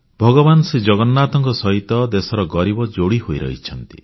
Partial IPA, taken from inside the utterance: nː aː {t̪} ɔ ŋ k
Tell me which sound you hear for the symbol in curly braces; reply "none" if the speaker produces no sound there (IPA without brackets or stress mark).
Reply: t̪